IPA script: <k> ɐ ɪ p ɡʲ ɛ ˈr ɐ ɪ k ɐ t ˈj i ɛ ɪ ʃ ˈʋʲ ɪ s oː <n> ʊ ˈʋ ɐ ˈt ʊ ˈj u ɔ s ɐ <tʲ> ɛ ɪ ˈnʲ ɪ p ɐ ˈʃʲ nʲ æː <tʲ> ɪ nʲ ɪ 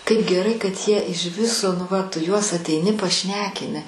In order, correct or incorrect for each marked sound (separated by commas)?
correct, correct, correct, incorrect